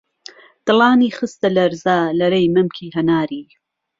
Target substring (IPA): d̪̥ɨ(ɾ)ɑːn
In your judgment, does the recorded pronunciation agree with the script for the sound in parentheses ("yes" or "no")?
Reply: no